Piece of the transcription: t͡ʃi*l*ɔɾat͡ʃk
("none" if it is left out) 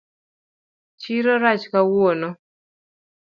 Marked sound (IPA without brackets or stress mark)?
ɾ